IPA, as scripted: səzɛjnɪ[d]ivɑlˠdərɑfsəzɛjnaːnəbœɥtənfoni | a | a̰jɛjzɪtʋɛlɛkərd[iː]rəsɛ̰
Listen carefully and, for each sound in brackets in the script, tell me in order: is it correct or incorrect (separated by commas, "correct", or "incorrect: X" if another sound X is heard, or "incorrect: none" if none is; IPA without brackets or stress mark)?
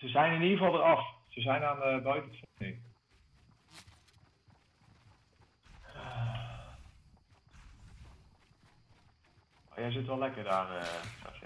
incorrect: n, incorrect: aː